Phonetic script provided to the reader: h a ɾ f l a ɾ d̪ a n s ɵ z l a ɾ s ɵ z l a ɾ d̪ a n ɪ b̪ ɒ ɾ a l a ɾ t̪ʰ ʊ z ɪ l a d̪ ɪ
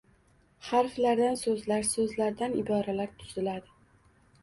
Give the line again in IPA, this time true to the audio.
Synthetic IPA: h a ɾ f l a ɾ d̪ a n s ɵ z l a ɾ s ɵ z l a ɾ d̪ a n ɪ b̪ ɒ ɾ a l a ɾ t̪ʰ ʊ z ɪ l a d̪ ɪ